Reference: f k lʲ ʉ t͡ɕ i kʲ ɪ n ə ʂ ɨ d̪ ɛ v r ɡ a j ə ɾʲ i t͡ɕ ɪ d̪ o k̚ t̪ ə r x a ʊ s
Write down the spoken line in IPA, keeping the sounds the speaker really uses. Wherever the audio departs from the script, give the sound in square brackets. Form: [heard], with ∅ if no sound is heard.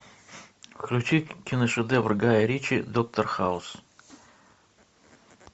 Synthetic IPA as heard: f k lʲ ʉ t͡ɕ i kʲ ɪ n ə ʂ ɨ d̪ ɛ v r ɡ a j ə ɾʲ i t͡ɕ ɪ d̪ o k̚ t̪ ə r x a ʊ s